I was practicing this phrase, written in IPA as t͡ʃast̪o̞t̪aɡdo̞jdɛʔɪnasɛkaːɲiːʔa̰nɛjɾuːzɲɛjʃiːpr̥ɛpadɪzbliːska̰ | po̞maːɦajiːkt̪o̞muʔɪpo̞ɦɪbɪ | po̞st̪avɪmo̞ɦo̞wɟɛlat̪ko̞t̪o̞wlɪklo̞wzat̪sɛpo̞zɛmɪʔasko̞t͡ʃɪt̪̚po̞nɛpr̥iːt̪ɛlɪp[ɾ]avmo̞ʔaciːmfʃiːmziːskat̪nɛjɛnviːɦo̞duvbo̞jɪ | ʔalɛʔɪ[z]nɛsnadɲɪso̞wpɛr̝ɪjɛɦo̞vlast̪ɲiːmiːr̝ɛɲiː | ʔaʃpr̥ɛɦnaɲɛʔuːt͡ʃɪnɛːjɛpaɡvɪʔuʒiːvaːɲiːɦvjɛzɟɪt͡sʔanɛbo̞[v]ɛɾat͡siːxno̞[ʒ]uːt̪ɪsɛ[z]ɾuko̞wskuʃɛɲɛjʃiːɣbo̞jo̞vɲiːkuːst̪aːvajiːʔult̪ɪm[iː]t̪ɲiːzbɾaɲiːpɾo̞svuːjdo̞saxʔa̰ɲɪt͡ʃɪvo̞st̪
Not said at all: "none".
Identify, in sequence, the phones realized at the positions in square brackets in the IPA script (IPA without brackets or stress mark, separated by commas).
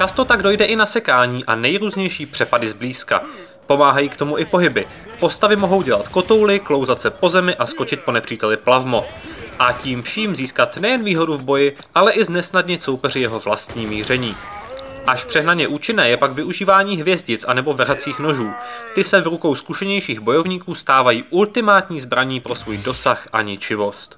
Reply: l, z, v, ʒ, v, aː